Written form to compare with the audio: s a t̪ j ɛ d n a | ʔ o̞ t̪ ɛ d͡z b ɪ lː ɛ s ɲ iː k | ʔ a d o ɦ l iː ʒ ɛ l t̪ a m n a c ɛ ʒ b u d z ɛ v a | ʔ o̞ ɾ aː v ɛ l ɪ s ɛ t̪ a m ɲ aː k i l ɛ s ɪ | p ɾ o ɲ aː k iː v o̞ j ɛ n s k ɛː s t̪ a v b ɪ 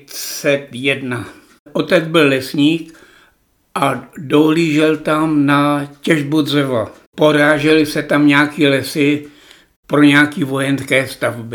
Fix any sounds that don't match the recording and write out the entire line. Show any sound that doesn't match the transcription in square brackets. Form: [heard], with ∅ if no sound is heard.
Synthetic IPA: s [ɛ] t̪ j ɛ d n a | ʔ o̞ t̪ ɛ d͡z b ɪ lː ɛ s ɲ iː k | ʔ a d o ɦ l iː ʒ ɛ l t̪ a m n a c ɛ ʒ b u d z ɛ v a | [p] o̞ ɾ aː [ʒ] ɛ l ɪ s ɛ t̪ a m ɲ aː k i l ɛ s ɪ | p ɾ o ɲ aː k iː v o̞ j ɛ n s k ɛː s t̪ a v b ɪ